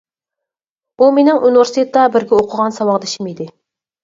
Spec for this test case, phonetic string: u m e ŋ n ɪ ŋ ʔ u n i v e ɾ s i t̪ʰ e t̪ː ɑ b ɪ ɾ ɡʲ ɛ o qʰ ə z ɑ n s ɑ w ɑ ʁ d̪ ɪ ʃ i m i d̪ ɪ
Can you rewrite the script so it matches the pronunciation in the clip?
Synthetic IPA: u m e n ɪ ŋ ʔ u n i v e ɾ s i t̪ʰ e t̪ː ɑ b ɪ ɾ ɡʲ ɛ o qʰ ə ʁ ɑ n s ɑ w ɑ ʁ d̪ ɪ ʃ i m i d̪ ɪ